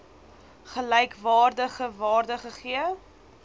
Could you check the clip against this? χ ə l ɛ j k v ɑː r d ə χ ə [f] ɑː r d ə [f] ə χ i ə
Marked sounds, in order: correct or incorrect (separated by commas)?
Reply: incorrect, incorrect